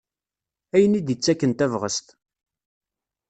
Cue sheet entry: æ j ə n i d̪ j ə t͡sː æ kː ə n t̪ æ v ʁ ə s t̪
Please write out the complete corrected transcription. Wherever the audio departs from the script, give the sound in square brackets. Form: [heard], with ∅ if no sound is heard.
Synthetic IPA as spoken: æ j ə n i d̪ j ə t͡sː æ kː ə n t̪ æ v ʁ ə s t̪